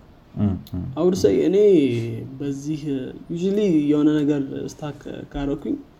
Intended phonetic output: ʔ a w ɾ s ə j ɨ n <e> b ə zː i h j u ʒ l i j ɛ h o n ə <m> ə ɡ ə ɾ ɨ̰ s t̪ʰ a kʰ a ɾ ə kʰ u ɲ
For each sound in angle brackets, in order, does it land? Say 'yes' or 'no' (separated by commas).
yes, no